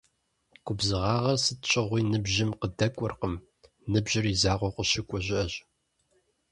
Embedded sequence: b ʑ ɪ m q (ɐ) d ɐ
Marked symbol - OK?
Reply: no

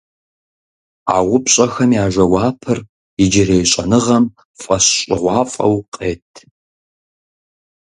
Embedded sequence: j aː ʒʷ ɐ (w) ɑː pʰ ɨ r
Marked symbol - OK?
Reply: yes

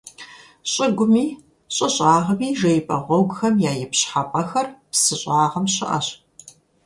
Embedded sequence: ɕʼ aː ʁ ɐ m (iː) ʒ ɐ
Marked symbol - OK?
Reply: yes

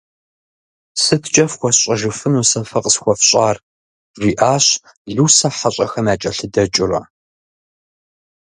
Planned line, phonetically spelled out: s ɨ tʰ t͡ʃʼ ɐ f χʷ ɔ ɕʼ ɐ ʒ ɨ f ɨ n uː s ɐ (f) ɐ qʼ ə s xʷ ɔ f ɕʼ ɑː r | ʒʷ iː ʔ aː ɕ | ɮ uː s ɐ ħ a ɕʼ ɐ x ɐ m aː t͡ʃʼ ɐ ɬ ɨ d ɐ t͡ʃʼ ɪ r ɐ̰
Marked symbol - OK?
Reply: yes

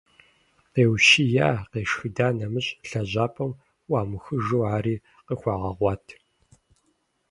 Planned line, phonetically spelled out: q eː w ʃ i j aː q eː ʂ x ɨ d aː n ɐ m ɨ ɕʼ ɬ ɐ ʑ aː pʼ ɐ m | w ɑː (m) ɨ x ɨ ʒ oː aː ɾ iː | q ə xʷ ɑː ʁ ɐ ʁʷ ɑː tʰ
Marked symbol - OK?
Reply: yes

